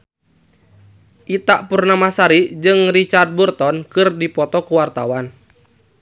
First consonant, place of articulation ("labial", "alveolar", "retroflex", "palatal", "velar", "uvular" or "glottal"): glottal